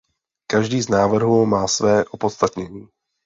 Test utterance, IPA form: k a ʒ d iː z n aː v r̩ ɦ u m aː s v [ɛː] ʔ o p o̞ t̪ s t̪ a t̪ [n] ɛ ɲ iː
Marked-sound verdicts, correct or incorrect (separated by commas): correct, incorrect